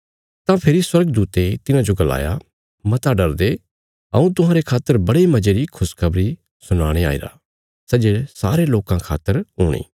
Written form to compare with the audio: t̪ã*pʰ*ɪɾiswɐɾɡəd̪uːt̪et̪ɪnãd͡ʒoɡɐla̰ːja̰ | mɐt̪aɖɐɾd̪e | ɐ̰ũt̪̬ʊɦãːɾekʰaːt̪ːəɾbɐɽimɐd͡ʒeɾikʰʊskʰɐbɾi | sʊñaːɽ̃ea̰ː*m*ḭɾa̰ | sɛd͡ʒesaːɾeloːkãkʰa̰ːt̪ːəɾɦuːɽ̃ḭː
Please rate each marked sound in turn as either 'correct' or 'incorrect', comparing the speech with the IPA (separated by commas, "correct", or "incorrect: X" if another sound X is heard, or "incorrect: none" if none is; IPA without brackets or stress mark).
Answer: correct, incorrect: none